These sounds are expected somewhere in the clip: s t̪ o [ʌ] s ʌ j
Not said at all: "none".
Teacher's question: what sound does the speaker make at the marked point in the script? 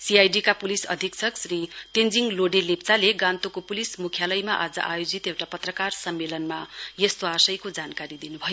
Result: a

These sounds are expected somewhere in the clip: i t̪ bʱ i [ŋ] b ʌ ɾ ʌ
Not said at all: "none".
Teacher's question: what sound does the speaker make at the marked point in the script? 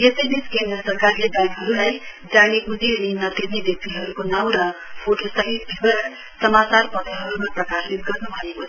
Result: none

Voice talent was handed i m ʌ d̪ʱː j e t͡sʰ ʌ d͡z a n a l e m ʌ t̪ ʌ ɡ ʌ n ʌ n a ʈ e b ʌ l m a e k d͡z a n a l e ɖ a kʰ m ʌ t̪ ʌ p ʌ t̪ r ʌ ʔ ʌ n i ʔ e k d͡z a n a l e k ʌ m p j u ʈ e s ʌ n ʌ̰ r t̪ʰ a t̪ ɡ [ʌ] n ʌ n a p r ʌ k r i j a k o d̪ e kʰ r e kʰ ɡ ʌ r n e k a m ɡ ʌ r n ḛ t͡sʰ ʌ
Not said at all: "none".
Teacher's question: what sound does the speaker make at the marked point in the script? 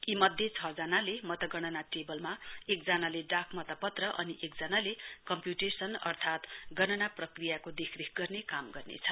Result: ʌ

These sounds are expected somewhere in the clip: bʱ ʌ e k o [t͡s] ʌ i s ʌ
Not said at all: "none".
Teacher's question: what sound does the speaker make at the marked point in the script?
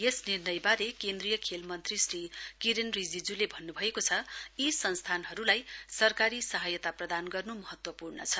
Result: t͡sʰ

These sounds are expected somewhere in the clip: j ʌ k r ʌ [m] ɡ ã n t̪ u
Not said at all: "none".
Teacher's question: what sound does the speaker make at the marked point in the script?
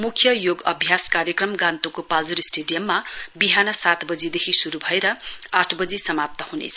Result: m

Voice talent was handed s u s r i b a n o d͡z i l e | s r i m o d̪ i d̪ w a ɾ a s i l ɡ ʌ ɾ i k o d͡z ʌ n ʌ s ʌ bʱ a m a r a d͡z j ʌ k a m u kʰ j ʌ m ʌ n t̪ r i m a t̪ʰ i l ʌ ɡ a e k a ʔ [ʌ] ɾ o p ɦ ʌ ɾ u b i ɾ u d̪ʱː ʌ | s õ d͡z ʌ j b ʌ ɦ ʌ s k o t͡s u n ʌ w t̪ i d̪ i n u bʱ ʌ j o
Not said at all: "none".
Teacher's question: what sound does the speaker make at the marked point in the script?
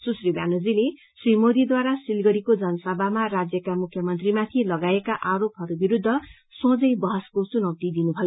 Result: a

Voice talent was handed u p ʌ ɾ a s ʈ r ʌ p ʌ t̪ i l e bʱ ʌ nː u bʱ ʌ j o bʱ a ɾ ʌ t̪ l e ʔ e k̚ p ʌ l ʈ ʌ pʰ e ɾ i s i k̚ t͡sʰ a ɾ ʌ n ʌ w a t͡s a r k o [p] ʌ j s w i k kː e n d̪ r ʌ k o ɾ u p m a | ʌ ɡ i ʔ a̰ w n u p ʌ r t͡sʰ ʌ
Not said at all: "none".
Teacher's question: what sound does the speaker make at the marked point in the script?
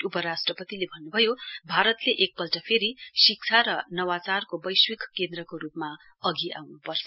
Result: b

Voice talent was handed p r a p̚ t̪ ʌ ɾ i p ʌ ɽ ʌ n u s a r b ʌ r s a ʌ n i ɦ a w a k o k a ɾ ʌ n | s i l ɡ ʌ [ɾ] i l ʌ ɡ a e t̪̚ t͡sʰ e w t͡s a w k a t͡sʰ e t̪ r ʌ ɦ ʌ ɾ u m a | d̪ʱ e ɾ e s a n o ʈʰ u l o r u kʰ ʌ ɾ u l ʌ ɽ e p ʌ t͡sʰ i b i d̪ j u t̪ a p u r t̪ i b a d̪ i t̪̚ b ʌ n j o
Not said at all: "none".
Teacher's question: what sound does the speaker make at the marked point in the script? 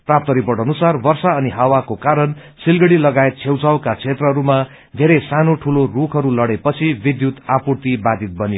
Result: ɽ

